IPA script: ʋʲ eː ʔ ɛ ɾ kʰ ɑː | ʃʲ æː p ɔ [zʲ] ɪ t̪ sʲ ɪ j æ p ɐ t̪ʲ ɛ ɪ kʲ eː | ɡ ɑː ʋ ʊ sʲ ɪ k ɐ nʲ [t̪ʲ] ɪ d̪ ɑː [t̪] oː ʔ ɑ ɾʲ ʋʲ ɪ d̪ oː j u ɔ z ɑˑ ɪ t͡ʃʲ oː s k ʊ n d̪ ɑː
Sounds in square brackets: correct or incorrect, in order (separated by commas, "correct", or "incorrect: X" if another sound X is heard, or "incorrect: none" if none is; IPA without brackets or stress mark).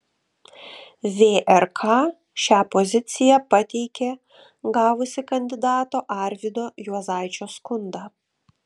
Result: correct, incorrect: d̪ʲ, correct